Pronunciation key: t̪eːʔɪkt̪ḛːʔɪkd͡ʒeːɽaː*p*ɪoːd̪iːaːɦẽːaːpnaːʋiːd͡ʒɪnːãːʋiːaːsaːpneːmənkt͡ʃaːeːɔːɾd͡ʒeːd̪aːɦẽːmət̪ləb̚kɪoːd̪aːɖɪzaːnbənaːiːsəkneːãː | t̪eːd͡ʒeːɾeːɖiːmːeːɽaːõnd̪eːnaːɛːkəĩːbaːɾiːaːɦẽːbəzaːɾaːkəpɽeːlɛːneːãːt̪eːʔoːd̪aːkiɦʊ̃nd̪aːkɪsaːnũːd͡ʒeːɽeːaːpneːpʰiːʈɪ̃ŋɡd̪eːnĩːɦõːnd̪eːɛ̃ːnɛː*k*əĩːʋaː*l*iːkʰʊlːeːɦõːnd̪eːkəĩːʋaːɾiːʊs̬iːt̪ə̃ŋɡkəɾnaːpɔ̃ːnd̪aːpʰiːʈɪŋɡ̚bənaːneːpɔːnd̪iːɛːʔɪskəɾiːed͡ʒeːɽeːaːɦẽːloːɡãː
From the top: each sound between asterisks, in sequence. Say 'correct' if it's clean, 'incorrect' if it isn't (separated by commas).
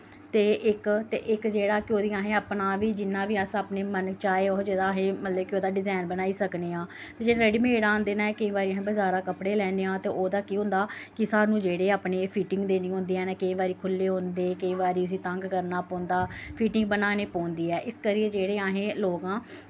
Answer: incorrect, correct, incorrect